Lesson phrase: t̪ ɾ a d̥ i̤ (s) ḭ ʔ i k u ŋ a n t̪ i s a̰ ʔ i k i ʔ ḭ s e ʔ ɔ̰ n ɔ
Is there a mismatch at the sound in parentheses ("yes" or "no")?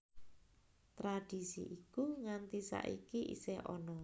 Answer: no